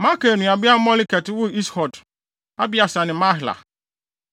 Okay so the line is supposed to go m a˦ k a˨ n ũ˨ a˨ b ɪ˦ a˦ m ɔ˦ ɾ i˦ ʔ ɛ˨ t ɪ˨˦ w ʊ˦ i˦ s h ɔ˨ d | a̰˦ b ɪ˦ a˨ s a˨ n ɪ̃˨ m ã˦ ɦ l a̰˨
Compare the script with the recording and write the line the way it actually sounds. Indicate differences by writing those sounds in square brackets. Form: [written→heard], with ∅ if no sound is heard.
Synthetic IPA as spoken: m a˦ k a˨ n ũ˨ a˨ b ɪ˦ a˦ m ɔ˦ [ɾ→l] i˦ [ʔ→k] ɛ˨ t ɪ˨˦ w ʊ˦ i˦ s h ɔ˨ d | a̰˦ b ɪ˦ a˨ s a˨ n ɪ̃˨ m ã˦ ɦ l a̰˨